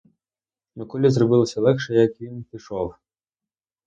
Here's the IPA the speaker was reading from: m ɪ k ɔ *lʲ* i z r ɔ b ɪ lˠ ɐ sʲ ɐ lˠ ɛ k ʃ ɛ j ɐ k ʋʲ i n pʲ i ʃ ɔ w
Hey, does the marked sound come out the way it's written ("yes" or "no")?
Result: yes